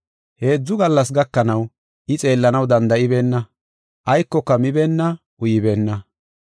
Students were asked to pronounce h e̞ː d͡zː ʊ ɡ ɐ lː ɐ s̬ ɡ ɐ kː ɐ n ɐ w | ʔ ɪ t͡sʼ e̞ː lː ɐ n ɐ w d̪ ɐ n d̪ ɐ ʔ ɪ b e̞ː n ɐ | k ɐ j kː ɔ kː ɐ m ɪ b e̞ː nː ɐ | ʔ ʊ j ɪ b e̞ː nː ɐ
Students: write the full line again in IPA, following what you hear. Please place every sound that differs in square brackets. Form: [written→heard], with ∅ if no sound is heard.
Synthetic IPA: h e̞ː d͡zː ʊ ɡ ɐ lː ɐ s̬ ɡ ɐ kː ɐ n ɐ w | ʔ ɪ t͡sʼ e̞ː lː ɐ n ɐ w d̪ ɐ n d̪ ɐ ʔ ɪ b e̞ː [n→nː] ɐ | [k→ʔ] ɐ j kː ɔ kː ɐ m ɪ b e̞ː nː ɐ | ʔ ʊ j ɪ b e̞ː nː ɐ